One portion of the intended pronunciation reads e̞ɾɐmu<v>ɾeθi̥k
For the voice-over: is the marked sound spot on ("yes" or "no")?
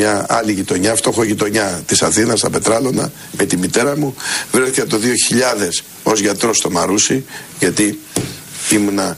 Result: yes